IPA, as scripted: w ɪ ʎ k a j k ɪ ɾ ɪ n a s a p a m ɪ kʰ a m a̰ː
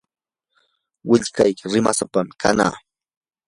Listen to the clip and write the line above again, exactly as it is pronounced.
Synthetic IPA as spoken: w ɪ ʎ k a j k ɪ ɾ ɪ m a s a p a m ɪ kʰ a n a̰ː